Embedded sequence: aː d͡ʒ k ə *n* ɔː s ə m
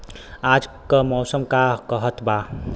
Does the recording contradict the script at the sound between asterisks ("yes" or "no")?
yes